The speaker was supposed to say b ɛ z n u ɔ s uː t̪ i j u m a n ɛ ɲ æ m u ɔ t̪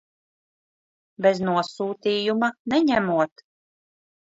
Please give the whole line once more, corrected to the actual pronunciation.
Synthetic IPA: b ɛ z n u ɔ s uː t̪ iː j u m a n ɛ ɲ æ m u ɔ t̪